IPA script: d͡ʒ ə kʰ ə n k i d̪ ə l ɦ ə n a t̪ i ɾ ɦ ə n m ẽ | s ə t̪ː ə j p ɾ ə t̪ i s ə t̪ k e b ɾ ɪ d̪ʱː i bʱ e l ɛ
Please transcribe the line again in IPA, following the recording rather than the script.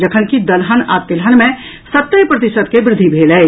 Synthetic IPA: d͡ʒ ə kʰ ə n k i d̪ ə l ɦ ə n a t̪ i l ɦ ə n m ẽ | s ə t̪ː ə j p ɾ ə t̪ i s ə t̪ k e b ɾ ɪ d̪ʱː i bʱ e l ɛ